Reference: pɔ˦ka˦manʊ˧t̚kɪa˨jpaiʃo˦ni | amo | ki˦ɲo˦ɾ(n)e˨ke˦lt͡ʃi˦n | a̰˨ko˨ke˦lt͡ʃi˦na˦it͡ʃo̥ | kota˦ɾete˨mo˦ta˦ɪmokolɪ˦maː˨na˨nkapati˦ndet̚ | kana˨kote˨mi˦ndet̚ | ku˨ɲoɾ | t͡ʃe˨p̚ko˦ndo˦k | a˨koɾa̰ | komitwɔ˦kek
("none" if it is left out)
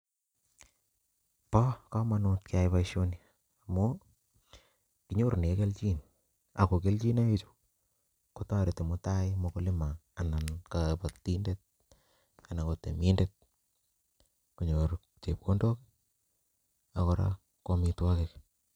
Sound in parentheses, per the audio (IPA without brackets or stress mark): n